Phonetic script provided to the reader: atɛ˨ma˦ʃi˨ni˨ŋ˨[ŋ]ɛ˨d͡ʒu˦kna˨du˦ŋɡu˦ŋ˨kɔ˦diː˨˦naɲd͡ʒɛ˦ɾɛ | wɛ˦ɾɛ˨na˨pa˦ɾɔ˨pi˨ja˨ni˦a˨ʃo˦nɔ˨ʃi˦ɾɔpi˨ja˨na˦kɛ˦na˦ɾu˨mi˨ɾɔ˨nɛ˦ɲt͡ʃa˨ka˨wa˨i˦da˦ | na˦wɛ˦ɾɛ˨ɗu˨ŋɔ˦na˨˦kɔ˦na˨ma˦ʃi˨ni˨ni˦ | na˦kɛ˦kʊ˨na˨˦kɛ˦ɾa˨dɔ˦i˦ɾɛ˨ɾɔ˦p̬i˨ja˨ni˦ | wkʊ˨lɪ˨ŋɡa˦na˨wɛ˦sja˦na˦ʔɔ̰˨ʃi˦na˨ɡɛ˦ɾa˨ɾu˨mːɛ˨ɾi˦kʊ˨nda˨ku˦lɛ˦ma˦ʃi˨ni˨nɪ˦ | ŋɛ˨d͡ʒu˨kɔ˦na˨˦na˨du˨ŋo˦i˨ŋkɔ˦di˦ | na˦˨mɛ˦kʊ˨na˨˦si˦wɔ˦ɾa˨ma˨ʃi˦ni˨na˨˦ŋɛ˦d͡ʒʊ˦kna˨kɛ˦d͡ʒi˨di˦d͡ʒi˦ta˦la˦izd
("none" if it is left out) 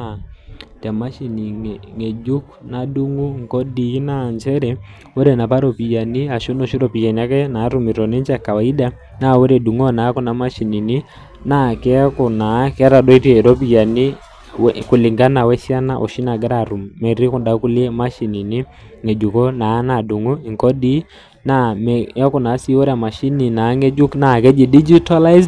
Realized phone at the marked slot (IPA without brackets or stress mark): ŋ